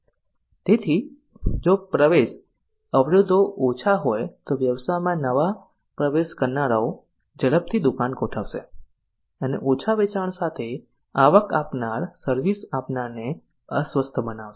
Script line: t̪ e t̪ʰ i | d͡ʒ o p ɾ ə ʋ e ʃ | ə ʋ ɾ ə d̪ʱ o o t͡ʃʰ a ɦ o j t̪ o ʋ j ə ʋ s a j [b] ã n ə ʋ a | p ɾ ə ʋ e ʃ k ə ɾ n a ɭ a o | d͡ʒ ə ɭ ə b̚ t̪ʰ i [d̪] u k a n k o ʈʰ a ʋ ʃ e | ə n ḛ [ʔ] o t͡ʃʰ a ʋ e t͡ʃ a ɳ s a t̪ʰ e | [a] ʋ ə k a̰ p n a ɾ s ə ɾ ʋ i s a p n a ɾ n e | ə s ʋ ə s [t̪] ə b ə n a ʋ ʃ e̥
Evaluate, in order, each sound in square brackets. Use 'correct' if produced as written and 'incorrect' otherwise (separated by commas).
incorrect, correct, correct, correct, incorrect